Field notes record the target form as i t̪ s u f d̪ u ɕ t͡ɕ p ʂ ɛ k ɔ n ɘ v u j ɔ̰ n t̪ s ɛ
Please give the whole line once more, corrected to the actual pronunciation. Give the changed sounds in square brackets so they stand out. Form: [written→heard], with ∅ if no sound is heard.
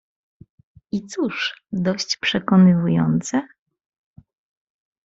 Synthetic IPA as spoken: i t̪ s u [f→ʂ] d̪ [u→ɔ] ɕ t͡ɕ p ʂ ɛ k ɔ n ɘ v u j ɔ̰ n t̪ s ɛ